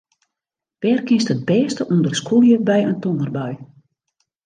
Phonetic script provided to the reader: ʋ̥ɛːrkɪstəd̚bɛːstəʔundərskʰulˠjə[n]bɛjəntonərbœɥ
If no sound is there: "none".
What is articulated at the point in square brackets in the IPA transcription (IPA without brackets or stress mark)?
none